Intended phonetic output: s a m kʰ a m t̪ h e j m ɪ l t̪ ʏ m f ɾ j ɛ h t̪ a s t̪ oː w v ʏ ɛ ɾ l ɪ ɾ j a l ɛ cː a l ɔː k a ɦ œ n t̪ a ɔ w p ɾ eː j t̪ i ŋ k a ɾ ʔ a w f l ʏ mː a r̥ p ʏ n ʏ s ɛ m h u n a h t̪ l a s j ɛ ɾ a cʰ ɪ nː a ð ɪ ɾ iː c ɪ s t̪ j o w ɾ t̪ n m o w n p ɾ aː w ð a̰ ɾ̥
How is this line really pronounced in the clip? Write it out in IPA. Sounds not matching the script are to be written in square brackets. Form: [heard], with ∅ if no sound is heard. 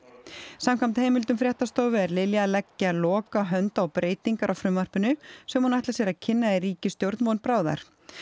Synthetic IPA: s a m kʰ a m t̪ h e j m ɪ l t̪ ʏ m f ɾ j ɛ h t̪ a s t̪ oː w v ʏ ɛ ɾ l ɪ [l] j a l ɛ cː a l ɔː k a ɦ œ n t̪ a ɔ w p ɾ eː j t̪ i ŋ k a ɾ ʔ a w f [ɾ] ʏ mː a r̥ p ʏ n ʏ s ɛ m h u n a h t̪ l a s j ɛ ɾ a cʰ ɪ nː a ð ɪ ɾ iː c ɪ s t̪ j o w ɾ t̪ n m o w n p ɾ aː w ð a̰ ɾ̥